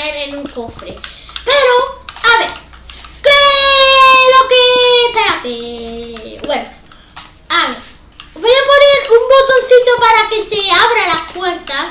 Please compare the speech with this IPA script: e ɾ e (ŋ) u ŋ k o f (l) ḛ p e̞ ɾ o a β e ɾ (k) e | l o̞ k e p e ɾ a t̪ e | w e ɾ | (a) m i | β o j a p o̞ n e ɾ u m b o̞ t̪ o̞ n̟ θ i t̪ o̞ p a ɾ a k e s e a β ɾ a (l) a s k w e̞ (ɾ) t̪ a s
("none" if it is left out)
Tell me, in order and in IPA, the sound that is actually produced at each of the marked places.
n, ɾ, k, a, l, ɾ

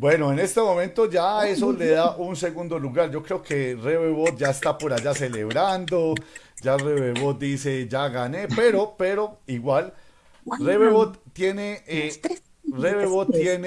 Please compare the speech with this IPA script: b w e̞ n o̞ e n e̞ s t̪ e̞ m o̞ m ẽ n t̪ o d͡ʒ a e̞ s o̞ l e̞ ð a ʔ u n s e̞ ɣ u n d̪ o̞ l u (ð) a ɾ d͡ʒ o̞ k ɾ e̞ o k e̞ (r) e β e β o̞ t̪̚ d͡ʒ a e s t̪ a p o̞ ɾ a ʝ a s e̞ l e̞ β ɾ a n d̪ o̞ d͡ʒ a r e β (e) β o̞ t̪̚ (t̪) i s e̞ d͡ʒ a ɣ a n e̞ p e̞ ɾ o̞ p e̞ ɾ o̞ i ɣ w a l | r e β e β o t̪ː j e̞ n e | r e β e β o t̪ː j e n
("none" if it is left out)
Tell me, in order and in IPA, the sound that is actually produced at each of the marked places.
ɣ, r, e, d̪

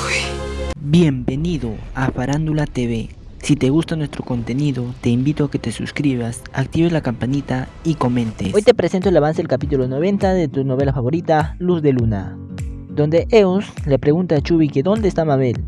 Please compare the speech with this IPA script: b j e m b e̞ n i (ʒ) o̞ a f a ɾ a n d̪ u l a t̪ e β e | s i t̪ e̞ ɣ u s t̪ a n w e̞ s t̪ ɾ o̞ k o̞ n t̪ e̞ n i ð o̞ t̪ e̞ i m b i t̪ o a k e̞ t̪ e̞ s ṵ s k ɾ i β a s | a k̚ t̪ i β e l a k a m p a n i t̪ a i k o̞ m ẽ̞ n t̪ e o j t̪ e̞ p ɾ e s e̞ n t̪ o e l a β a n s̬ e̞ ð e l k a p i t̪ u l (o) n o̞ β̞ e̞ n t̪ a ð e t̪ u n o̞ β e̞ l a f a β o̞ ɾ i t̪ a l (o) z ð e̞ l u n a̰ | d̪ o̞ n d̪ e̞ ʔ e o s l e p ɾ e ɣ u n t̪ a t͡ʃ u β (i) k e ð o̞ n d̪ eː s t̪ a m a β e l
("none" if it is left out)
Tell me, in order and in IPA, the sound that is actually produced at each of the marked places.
ð, o, u, i

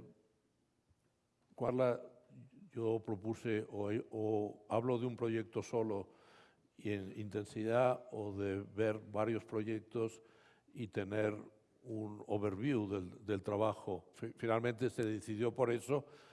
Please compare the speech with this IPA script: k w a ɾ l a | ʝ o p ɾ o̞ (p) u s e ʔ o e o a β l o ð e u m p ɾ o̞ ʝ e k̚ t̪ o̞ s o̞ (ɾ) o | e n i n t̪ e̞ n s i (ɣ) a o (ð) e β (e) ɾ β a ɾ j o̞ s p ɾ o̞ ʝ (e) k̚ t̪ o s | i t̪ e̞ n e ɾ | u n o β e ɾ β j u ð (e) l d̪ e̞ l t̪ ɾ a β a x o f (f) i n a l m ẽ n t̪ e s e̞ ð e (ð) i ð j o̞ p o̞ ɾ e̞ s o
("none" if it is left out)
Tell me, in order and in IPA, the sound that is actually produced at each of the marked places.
p, l, ð, ð, e, e, e, f, θ

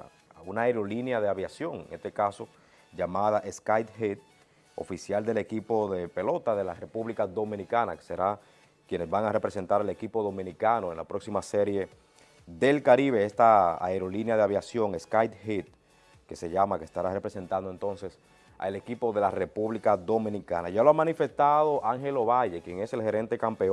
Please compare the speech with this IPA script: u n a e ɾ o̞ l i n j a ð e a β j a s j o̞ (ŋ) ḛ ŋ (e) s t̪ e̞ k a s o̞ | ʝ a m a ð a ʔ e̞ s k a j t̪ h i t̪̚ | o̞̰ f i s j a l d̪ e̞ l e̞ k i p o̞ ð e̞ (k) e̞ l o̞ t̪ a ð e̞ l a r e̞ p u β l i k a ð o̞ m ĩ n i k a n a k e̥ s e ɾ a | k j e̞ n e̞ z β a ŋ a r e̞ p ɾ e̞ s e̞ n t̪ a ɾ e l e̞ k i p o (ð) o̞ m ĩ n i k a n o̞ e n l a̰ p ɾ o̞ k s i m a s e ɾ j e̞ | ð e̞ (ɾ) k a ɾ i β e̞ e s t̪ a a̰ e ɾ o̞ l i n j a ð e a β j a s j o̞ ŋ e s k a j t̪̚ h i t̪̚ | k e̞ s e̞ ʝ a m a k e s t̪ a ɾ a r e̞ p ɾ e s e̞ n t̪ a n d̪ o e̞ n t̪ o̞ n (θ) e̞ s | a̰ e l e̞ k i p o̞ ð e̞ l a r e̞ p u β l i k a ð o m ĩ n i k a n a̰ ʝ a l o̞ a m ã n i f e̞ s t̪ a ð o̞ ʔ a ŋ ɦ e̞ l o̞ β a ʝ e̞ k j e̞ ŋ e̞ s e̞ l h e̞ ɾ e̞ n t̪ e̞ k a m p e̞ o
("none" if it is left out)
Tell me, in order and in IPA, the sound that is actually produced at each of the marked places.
ŋ, e, p, ð, l, s

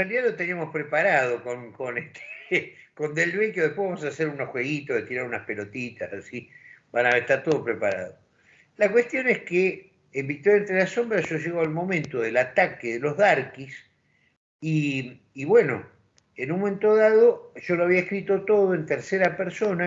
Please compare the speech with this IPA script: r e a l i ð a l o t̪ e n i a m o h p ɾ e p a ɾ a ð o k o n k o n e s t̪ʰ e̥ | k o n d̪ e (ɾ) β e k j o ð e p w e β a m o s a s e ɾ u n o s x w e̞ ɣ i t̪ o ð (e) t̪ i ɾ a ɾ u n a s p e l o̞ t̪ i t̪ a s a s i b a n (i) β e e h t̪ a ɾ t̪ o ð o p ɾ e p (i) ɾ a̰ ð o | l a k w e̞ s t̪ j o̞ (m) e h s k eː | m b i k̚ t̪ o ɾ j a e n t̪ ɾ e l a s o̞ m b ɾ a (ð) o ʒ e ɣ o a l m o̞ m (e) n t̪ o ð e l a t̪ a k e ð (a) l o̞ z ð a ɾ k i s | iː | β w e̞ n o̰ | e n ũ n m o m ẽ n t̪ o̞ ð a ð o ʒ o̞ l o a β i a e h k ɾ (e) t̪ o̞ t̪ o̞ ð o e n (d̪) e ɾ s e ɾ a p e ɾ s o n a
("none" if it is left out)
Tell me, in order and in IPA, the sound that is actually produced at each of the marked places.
l, e, a, a, n, ʒ, ẽ, e, i, t̪

